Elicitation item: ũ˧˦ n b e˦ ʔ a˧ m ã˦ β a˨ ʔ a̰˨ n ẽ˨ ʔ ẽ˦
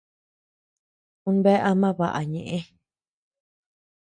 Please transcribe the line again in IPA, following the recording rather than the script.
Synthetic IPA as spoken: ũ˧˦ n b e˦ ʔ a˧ m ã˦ β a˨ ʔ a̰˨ ɲ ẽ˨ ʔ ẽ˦